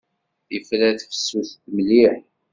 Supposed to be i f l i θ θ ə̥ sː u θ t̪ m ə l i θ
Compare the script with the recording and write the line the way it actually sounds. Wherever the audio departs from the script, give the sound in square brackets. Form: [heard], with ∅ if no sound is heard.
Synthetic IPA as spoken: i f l [æ] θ [f] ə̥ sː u θ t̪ m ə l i [ħ]